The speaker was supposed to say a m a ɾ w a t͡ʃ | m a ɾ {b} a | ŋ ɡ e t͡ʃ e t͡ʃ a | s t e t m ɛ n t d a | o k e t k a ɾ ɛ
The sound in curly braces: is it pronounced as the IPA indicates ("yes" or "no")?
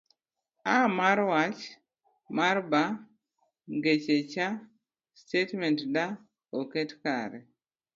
yes